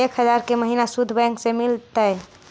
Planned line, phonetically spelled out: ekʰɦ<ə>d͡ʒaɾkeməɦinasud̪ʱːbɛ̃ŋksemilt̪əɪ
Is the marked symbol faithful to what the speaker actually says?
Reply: yes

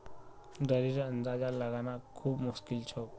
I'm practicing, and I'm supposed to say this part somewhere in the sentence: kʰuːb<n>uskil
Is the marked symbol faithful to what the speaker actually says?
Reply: no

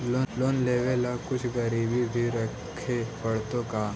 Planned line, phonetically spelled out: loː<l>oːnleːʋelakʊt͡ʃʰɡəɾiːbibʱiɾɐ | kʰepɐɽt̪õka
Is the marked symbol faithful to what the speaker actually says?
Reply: yes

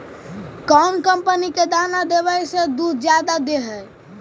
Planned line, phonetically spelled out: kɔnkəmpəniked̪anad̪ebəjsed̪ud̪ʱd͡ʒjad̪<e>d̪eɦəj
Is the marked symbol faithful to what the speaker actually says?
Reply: no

